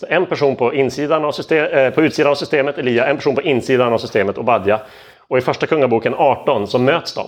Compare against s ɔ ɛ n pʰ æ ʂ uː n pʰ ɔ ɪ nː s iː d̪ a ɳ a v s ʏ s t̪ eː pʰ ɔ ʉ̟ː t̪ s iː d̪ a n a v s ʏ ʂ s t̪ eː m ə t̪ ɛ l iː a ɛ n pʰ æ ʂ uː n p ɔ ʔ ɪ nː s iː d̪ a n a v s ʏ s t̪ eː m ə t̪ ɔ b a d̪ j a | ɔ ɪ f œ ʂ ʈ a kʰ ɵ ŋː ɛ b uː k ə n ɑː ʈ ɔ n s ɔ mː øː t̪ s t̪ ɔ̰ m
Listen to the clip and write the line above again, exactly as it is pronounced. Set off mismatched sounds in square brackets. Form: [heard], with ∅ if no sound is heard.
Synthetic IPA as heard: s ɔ ɛ n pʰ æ ʂ uː n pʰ ɔ ɪ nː s iː d̪ a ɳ a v s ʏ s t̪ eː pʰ ɔ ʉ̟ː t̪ s iː d̪ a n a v s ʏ [∅] s t̪ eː m ə t̪ ɛ l iː a ɛ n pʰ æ ʂ uː n p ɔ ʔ ɪ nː s iː d̪ a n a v s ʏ s t̪ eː m ə t̪ ɔ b a d̪ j a | ɔ ɪ f œ ʂ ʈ a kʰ ɵ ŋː [a] b uː k ə n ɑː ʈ ɔ n s ɔ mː øː t̪ s [d̪] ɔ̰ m